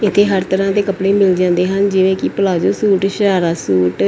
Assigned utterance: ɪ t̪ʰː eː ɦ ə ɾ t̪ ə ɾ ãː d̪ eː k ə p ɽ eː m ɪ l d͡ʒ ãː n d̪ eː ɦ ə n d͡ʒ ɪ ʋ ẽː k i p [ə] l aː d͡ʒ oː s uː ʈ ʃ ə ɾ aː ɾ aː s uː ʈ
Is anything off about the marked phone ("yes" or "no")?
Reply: no